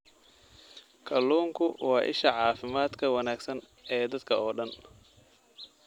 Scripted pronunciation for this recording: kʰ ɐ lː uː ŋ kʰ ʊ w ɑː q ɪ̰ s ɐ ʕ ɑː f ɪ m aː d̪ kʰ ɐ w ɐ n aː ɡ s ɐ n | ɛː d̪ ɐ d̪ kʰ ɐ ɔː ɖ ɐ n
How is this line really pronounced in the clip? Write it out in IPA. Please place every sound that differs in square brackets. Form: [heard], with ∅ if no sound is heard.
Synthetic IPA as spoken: kʰ ɐ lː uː ŋ kʰ ʊ w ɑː [ʔ] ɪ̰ [ʃ] ɐ ʕ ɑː f ɪ m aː d̪ kʰ ɐ w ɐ n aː ɡ s ɐ n | ɛː d̪ ɐ d̪ kʰ ɐ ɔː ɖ ɐ n